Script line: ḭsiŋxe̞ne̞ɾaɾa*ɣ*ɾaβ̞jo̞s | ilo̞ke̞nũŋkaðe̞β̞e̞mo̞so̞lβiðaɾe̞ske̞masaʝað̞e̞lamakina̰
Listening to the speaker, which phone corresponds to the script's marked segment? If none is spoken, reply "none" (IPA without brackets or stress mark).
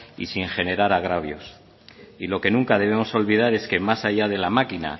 ɣ